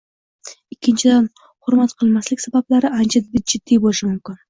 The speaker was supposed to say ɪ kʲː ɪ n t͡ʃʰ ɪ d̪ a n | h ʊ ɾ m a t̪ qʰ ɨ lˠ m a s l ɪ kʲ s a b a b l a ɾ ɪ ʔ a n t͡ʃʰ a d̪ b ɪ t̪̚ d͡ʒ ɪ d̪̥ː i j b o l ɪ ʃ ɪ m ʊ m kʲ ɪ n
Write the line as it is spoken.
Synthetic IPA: ɪ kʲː ɪ n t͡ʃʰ ɪ d̪ a n | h ʊ ɾ m a t̪ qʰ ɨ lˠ m a s l ɪ kʲ s a b a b l a ɾ ɪ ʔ a n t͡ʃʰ a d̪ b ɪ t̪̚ d͡ʒ ɪ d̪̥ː i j b o l ɪ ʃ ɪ m ʊ m kʲ ɪ n

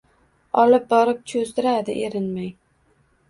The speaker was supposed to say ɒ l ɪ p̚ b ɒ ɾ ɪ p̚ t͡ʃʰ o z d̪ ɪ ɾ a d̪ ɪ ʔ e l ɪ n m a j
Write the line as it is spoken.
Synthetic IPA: ɒ l ɪ p̚ b ɒ ɾ ɪ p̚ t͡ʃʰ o z d̪ ɪ ɾ a d̪ ɪ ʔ e ɾ ɪ n m a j

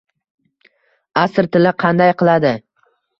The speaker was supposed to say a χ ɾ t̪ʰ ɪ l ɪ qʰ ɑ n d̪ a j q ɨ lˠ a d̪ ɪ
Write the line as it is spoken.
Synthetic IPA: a s ɾ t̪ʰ ɪ l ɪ qʰ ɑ n d̪ a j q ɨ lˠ a d̪ ɪ

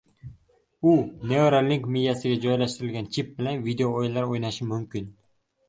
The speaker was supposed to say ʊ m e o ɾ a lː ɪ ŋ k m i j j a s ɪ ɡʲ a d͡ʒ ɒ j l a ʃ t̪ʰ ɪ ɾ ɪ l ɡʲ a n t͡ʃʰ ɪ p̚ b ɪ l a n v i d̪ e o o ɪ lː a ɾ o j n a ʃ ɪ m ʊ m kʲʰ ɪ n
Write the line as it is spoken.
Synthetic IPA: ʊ n e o ɾ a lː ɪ ŋ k m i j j a s ɪ ɡʲ a d͡ʒ ɒ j l a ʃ t̪ ɪ ɾ ɪ l ɡʲ a n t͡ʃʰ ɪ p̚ b ɪ l a n v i d̪ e o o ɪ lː a ɾ o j n a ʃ ɪ m ʊ m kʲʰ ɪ n

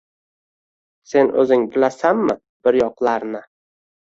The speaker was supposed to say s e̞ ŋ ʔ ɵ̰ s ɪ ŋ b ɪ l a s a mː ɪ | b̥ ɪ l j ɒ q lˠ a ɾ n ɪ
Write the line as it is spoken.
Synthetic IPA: s e̞ n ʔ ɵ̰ z ɪ ŋ b ɪ l a s a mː ɪ | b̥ ɪ ɾ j ɒ q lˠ a ɾ n ɪ

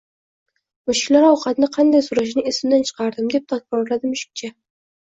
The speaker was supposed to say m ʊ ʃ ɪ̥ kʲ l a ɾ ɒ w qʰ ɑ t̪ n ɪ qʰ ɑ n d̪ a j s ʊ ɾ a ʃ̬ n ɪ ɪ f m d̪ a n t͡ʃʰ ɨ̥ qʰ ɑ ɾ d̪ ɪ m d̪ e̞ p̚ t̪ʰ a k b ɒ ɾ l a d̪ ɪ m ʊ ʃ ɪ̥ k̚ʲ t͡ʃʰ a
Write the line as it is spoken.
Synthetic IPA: m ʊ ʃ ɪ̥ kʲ l a ɾ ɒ w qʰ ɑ t̪ n ɪ qʰ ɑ n d̪ a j s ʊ ɾ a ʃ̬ n ɪ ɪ s m d̪ a n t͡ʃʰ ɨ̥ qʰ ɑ ɾ d̪ ɪ m d̪ e̞ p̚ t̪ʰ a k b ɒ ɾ l a d̪ ɪ m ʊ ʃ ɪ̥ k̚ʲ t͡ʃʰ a

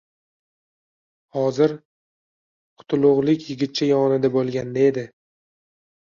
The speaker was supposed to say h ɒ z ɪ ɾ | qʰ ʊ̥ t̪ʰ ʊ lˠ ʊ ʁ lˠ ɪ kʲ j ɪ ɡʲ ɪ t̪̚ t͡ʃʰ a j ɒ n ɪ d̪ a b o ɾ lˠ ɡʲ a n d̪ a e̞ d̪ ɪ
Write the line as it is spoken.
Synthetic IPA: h ɒ z ɪ ɾ | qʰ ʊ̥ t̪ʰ ʊ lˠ ʊ ʁ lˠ ɪ kʲ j ɪ ɡʲ ɪ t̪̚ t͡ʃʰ a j ɒ n ɪ d̪ a b o lˠ ɡʲ a n d̪ a e̞ d̪ ɪ

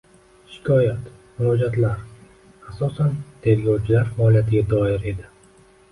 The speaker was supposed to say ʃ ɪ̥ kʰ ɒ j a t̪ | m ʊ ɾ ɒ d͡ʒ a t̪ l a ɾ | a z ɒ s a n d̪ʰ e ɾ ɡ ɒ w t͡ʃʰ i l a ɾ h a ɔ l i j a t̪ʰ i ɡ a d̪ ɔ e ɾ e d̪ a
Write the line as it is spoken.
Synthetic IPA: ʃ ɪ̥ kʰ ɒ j a t̪ | m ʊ ɾ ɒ d͡ʒ a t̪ l a ɾ | a s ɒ s a n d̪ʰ e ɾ ɡ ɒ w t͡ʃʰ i l a ɾ f a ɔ l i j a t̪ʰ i ɡ a d̪ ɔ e ɾ e d̪ a

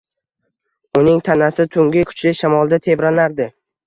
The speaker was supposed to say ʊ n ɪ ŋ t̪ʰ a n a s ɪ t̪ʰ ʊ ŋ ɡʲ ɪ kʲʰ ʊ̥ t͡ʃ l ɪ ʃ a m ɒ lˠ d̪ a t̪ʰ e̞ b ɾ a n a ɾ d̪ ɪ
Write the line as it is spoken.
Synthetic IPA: ʊ n ɪ ŋ t̪ʰ a n a s ɪ t̪ʰ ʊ ŋ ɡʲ ɪ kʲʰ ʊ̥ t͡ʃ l ɪ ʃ a m ɒ lˠ d̪ a t̪ʰ e̞ b ɾ a n a ɾ d̪ ɪ

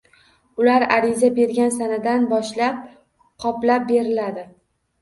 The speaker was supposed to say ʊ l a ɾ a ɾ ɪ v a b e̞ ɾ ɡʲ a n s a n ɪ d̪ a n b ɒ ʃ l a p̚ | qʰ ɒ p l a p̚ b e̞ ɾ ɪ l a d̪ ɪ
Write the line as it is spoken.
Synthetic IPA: ʊ l a ɾ a ɾ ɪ z a b e̞ ɾ ɡʲ a n s a n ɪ d̪ a n b ɒ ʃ l a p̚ | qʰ ɒ p l a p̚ b e̞ ɾ ɪ l a d̪ ɪ

